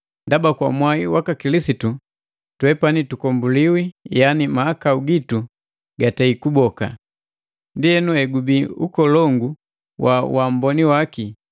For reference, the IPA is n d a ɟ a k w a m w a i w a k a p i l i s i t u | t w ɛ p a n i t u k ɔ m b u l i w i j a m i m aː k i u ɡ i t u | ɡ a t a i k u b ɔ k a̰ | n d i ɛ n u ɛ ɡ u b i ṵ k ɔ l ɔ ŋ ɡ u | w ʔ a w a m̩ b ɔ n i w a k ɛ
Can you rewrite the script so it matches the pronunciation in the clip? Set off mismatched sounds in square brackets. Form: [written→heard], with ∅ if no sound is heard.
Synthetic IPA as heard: n d a [ɟ→b] a k w a m w a i w a k a [p→k] i l i s i t u | t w ɛ p a n i t u k ɔ m b u l i w i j a [m→n] i m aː k [i→a] u ɡ i t u | ɡ a t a i k u b ɔ k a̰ | n d i ɛ n u ɛ ɡ u b i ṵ k ɔ l ɔ ŋ ɡ u | w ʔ a w a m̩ b ɔ n i w a k [ɛ→i]